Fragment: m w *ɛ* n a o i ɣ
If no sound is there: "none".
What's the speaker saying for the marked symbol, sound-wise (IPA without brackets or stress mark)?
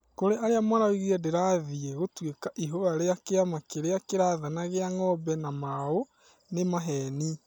a